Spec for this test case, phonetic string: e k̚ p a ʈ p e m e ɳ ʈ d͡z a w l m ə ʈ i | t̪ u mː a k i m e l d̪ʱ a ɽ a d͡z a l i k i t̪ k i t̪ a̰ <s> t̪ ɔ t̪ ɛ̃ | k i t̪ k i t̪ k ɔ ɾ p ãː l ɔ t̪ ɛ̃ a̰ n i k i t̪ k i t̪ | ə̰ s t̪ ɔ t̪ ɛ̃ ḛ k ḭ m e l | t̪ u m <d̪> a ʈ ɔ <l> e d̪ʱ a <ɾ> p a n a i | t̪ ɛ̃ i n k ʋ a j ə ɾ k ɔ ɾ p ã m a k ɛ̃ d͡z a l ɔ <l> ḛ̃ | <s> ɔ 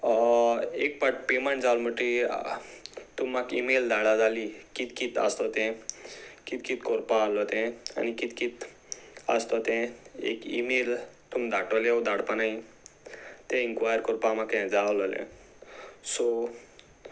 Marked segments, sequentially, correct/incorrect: correct, correct, correct, incorrect: ɽ, correct, correct

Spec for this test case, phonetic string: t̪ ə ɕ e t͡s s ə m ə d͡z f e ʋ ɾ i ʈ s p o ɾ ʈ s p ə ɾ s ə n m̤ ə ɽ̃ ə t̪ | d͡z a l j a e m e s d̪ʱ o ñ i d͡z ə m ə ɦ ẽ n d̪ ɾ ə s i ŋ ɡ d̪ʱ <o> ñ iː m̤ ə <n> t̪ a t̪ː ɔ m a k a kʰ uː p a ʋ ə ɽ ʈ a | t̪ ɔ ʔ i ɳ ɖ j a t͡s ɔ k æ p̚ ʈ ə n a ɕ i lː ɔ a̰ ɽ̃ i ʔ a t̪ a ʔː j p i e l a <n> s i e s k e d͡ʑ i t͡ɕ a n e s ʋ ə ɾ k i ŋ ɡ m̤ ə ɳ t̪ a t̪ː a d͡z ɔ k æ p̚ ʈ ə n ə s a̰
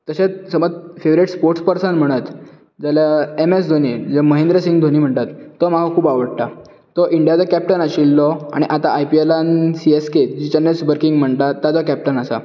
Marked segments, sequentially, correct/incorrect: correct, incorrect: ɳ, correct

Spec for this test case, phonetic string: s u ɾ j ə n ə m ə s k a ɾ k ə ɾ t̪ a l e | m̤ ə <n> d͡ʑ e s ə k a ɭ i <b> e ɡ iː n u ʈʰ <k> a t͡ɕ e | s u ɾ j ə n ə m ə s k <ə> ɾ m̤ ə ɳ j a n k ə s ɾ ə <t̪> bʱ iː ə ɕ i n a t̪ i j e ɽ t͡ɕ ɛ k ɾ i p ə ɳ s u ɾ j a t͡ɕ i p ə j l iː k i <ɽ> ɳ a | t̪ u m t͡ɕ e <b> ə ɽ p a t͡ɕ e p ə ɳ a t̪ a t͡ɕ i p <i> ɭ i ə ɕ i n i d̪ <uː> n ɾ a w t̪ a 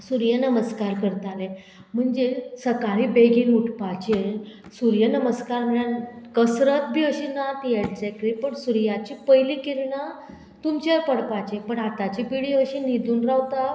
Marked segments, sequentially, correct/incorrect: incorrect: ɳ, correct, incorrect: p, incorrect: a, correct, incorrect: ɾ, incorrect: p, correct, correct

